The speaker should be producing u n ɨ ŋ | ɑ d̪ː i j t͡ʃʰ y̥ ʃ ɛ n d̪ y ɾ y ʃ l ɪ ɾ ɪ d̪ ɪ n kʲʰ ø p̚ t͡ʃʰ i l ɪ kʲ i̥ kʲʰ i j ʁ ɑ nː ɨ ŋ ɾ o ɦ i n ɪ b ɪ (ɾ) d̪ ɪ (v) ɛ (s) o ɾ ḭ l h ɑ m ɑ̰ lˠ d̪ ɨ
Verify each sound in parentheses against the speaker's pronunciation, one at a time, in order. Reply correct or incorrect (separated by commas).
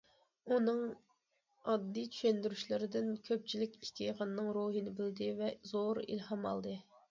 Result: incorrect, correct, incorrect